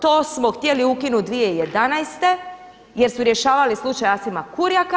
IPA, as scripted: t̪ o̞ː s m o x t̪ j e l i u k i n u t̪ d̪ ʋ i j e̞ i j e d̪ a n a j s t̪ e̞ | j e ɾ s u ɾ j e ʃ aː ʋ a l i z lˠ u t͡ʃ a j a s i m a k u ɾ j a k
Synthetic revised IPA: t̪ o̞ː s m o x t̪ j e l i u k i n u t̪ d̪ ʋ i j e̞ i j e d̪ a n a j s t̪ e̞ | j e ɾ s u ɾ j e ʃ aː ʋ a l i s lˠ u t͡ʃ a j a s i m a k u ɾ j a k